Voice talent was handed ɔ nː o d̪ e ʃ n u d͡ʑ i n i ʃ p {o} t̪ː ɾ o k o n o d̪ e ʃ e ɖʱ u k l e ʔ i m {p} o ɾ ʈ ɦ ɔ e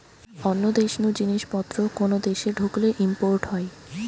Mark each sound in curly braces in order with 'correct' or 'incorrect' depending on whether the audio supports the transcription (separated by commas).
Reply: incorrect, correct